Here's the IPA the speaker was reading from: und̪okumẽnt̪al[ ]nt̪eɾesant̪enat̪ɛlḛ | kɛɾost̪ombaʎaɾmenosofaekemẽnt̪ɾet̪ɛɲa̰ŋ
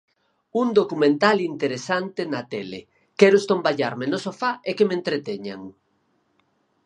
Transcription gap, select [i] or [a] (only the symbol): i